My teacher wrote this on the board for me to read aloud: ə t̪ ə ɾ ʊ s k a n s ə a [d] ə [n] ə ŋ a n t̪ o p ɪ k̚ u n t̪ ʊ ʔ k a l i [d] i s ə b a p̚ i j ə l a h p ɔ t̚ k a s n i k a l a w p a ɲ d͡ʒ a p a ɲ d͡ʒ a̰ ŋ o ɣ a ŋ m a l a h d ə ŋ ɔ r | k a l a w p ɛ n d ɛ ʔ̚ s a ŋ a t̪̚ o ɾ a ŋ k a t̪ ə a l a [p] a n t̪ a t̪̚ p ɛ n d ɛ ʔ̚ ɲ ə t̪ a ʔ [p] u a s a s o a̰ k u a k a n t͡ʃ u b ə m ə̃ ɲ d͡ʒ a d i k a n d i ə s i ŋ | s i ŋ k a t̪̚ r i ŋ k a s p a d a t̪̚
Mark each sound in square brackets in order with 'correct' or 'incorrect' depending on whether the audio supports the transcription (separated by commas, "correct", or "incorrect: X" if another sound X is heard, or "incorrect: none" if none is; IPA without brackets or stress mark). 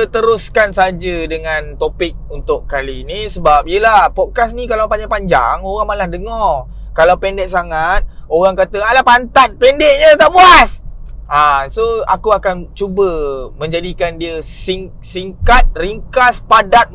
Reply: incorrect: d͡ʒ, incorrect: d, incorrect: n, correct, incorrect: b